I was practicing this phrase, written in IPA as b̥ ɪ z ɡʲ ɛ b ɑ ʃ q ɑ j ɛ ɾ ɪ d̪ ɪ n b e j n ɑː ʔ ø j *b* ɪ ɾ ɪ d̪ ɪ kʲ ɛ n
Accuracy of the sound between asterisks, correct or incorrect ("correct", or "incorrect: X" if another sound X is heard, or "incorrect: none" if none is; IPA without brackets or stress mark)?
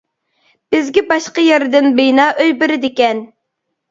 correct